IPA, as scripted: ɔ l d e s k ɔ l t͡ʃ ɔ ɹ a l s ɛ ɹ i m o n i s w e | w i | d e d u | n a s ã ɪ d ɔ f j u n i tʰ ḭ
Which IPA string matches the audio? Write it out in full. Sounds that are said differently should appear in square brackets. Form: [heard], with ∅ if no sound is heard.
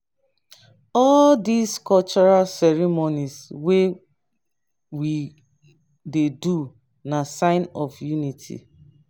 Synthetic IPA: ɔ l d [i] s k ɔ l t͡ʃ ɔ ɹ a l s ɛ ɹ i m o n i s w e | w i | d e d u | n a s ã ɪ [n] ɔ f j u n i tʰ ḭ